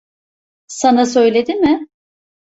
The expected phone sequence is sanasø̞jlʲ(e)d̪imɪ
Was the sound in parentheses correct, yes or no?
yes